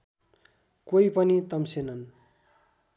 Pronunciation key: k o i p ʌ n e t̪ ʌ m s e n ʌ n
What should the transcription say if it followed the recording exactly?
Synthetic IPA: k o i p ʌ n i t̪ ʌ m s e n ʌ n